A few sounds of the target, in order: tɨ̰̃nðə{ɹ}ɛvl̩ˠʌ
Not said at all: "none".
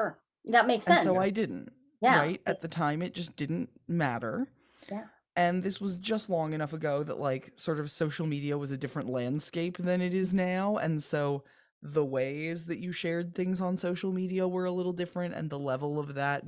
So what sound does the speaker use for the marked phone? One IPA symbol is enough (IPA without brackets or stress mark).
l